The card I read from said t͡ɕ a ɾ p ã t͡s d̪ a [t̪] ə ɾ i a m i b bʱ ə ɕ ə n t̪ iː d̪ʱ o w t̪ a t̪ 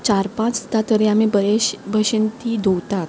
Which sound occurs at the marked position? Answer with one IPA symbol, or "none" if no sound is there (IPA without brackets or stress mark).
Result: t̪